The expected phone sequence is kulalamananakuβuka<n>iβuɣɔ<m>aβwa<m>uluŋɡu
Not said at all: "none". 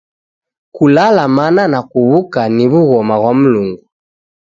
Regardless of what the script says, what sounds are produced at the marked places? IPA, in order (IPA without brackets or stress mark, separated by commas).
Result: n, m, m